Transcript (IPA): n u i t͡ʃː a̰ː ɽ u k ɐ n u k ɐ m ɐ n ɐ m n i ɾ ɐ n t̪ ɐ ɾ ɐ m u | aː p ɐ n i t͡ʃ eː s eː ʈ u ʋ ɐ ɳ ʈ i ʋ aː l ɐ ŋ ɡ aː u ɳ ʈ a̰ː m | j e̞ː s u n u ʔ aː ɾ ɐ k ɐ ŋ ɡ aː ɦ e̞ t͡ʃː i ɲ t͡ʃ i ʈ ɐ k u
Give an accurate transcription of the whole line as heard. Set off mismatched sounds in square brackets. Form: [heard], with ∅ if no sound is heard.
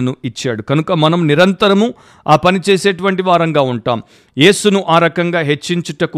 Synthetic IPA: n u i t͡ʃː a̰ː ɽ u k ɐ n u k ɐ m ɐ n ɐ m n i ɾ ɐ n t̪ ɐ ɾ ɐ m u | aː p ɐ n i t͡ʃ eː s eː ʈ u ʋ ɐ ɳ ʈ i ʋ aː [ɾ] ɐ ŋ ɡ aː u ɳ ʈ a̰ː m | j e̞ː s u n u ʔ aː ɾ ɐ k ɐ ŋ ɡ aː ɦ e̞ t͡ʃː i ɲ t͡ʃ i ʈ ɐ k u